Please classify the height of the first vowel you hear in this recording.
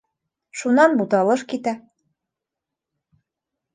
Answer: high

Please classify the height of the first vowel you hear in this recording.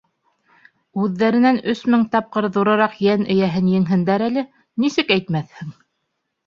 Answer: high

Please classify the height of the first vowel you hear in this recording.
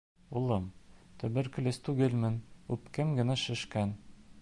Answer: high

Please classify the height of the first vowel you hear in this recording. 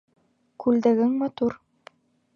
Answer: high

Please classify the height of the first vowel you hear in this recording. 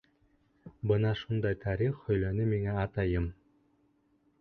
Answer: mid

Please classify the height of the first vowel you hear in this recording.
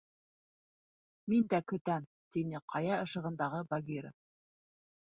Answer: high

